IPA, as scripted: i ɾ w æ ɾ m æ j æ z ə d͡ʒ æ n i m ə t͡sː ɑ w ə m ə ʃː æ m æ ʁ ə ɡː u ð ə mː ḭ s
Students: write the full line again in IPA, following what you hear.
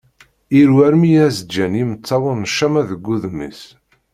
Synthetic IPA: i ɾ w æ ɾ m i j æ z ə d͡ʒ æ n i m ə t͡sː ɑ w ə n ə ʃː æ m æ ð ə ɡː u ð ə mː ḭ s

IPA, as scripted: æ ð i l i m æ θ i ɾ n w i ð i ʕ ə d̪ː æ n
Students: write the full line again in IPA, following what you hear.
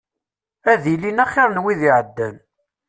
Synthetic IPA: æ ð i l i n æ χ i ɾ n w i ð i ʕ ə d̪ː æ n

